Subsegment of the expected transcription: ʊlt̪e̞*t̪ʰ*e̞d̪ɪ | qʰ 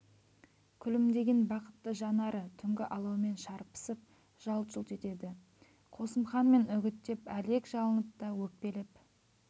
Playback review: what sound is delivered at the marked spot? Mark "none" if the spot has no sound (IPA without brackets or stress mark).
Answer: t̪